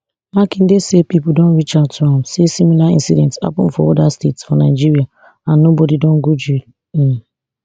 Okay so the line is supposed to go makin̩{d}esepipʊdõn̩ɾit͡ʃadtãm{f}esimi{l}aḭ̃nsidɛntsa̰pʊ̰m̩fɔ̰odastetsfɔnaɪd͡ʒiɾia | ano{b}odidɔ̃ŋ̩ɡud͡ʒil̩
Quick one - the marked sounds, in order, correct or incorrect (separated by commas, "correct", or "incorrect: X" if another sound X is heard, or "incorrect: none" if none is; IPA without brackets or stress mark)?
correct, incorrect: s, correct, correct